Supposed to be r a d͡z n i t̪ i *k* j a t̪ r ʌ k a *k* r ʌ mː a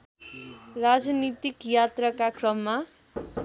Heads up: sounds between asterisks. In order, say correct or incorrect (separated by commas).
correct, correct